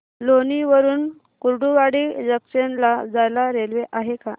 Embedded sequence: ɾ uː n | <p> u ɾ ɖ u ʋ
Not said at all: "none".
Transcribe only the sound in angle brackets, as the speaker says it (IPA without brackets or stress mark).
k